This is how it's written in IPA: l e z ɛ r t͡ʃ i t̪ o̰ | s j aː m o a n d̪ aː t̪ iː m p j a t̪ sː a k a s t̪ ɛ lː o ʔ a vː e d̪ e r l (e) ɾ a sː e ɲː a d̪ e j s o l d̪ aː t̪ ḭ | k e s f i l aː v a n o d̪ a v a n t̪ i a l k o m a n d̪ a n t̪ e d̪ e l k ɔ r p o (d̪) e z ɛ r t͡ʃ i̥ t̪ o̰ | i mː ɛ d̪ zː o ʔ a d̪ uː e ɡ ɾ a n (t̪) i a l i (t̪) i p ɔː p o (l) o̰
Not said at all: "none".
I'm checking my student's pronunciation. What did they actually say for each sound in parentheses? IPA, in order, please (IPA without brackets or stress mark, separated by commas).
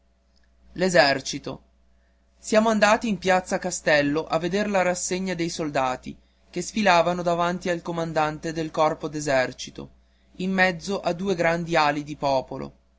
a, d̪, d̪, d̪, l